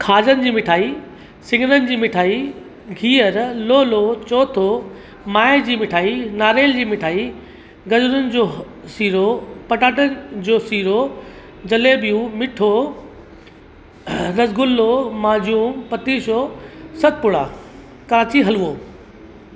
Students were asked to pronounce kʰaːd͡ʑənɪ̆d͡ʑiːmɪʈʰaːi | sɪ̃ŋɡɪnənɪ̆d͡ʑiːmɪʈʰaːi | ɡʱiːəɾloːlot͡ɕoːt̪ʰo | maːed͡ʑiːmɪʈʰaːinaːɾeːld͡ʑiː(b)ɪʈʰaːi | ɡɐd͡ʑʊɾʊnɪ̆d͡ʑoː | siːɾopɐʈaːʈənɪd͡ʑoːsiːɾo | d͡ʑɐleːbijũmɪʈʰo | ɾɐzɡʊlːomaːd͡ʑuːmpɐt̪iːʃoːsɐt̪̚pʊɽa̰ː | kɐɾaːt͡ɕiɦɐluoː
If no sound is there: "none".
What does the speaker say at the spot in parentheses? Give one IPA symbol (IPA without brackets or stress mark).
m